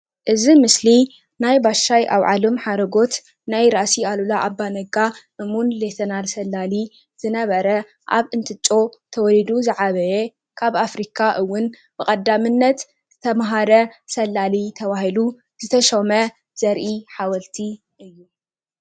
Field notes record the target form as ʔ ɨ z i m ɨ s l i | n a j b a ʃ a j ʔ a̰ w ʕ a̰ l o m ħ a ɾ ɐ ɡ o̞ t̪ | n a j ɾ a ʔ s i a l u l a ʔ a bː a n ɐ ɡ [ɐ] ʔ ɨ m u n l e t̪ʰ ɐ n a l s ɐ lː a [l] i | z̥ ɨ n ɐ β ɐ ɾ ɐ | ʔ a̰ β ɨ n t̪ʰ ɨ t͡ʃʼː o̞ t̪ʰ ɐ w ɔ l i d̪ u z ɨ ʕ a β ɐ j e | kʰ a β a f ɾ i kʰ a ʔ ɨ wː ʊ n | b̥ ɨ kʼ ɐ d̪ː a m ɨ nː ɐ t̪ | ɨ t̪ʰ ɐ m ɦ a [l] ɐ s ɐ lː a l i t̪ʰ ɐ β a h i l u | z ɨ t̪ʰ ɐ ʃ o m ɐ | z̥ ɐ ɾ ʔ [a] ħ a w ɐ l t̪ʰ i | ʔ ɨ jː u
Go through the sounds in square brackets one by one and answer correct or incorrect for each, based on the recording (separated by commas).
incorrect, correct, incorrect, incorrect